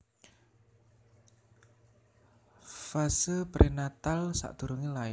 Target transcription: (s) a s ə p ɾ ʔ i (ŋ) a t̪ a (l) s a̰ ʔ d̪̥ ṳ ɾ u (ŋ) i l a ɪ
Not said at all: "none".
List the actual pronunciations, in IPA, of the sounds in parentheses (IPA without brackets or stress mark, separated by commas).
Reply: f, n, l, ŋ